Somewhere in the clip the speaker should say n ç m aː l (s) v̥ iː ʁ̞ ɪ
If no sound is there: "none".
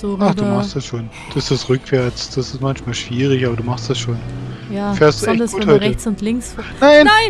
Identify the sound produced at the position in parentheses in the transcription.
ʃ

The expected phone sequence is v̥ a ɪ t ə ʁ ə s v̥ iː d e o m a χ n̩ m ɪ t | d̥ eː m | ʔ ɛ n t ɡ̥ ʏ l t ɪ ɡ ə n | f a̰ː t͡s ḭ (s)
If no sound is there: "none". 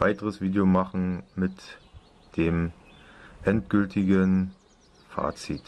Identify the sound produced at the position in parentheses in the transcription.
t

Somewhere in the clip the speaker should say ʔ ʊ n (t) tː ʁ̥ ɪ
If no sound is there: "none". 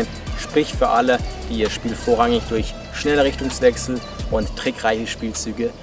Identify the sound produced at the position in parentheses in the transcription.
t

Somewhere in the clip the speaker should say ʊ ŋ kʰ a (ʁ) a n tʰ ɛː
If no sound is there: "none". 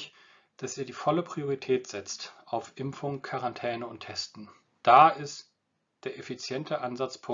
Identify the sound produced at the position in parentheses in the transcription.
ʁ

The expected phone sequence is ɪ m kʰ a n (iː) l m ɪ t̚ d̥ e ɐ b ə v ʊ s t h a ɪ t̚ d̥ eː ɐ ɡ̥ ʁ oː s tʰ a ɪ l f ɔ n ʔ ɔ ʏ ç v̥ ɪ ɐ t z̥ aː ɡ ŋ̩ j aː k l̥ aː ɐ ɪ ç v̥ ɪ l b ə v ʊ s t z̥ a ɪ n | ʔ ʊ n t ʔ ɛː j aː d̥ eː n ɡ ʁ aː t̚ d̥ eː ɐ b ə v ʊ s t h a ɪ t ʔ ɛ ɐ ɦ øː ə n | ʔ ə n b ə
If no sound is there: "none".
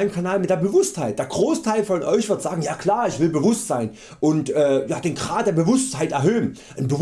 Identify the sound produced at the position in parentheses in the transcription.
aː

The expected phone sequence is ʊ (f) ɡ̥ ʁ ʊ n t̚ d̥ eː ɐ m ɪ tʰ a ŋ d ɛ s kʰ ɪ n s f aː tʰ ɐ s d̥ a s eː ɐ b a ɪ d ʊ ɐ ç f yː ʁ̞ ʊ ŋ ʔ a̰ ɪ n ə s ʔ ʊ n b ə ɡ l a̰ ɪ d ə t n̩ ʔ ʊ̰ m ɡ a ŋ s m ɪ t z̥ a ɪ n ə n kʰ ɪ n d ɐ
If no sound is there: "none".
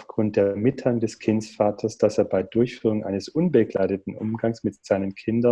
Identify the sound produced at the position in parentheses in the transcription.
f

